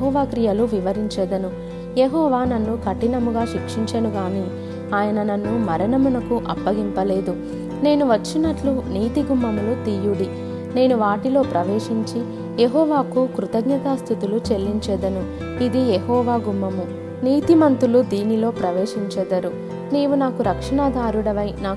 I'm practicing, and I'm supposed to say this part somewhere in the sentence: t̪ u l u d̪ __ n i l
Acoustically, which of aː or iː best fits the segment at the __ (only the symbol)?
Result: iː